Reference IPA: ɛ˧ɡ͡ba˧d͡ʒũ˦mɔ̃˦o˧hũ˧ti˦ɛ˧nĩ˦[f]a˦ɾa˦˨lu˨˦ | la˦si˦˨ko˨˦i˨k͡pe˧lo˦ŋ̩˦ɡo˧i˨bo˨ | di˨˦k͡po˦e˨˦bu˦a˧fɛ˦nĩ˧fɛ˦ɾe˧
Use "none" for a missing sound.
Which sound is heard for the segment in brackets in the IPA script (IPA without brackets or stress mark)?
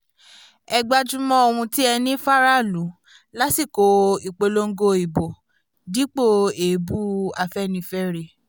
f